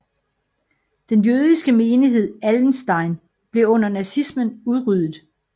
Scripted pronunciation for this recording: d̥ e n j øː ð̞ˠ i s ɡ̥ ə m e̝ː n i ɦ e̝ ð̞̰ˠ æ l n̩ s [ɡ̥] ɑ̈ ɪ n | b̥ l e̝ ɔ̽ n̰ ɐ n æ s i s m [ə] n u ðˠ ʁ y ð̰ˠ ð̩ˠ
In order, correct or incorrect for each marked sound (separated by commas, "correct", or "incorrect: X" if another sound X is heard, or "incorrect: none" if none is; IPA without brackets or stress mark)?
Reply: incorrect: d̥, correct